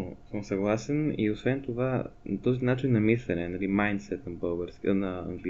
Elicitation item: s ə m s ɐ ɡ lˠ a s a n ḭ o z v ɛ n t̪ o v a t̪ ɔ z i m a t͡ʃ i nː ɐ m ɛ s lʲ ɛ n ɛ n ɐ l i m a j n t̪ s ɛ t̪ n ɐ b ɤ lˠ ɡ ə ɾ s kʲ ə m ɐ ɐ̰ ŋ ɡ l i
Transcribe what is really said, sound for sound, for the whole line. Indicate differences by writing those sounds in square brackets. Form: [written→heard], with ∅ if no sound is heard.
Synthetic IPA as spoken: s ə m s ɐ ɡ lˠ a s [a→ɛ] n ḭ o [z→s] v ɛ n t̪ o v a t̪ ɔ z i [m→n] a t͡ʃ i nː ɐ m [ɛ→i] s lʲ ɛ n ɛ n ɐ l i m a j n t̪ s ɛ t̪ n ɐ b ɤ lˠ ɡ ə ɾ s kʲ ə [m→n] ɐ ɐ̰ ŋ ɡ l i